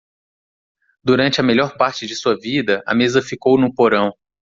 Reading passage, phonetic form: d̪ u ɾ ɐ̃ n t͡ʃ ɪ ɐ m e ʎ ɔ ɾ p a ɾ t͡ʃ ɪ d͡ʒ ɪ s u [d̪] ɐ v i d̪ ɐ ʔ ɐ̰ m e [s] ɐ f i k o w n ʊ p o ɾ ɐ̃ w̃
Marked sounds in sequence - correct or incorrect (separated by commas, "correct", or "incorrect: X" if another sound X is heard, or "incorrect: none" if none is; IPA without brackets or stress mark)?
incorrect: none, incorrect: z